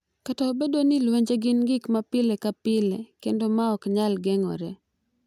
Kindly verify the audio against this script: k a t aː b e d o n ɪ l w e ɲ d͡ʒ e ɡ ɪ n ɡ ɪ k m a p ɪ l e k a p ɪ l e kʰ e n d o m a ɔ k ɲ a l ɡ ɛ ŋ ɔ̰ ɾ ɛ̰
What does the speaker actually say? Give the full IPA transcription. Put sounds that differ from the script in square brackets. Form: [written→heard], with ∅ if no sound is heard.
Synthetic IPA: k a t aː b e d o n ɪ l w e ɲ d͡ʒ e ɡ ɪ n ɡ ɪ k m a p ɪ l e k a p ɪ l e [kʰ→k] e n d o m a ɔ k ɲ a l ɡ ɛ ŋ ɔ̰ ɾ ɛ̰